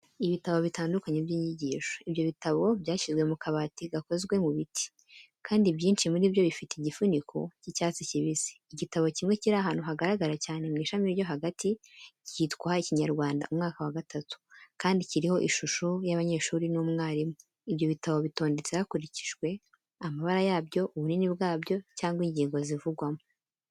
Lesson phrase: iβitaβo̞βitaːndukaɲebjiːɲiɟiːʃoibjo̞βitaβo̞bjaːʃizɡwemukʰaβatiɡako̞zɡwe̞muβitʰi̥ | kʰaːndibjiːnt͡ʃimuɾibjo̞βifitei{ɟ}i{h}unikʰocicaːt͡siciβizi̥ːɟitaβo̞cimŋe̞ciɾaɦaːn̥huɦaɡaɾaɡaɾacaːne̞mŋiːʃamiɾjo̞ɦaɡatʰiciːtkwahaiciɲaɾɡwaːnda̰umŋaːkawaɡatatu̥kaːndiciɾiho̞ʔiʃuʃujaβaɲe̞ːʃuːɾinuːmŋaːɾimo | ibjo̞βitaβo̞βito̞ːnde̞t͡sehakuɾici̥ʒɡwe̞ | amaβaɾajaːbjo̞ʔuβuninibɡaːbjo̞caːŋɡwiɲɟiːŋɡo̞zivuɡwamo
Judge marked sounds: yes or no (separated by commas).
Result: yes, no